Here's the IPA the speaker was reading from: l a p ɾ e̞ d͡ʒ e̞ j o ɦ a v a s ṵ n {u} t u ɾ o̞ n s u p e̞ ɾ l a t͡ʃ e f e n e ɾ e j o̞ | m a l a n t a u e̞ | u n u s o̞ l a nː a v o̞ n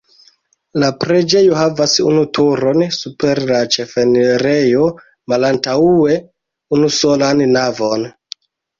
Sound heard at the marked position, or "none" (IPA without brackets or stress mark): u